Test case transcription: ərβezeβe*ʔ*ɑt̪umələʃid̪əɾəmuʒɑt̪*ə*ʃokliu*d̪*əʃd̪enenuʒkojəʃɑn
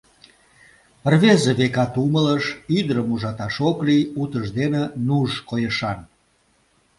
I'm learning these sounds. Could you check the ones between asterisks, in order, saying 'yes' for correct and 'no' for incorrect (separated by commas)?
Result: no, no, no